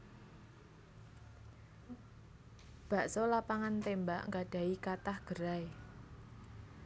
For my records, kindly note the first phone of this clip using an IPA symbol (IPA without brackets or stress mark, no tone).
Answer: b̥